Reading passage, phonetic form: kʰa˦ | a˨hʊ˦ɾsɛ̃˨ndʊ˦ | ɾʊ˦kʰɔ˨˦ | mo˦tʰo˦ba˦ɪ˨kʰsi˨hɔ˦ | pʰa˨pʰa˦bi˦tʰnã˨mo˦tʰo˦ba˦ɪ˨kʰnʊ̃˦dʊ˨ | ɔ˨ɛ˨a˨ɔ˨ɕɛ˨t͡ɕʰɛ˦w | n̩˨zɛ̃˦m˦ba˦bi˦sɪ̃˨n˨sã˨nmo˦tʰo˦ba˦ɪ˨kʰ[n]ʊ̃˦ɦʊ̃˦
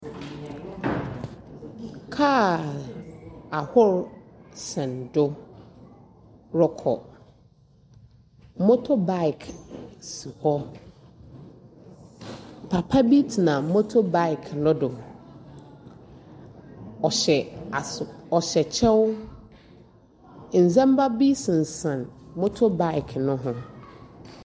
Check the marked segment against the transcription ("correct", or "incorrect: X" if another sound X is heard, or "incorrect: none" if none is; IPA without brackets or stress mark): correct